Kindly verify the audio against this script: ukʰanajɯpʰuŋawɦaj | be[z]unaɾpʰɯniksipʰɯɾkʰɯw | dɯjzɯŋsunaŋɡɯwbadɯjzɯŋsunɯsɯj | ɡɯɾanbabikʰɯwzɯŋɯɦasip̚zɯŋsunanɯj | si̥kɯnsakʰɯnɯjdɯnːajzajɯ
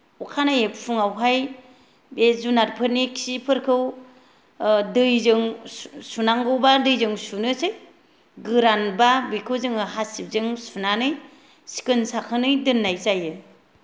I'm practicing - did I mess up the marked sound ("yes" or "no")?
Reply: no